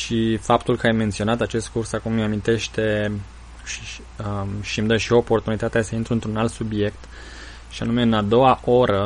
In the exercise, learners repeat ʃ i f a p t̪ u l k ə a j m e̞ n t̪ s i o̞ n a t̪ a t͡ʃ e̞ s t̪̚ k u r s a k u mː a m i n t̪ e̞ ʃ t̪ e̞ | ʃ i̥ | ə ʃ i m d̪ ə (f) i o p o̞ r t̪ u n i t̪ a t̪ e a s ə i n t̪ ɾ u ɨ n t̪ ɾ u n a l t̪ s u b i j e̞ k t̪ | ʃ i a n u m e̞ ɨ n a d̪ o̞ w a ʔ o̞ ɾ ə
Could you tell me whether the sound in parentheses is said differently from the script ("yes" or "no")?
yes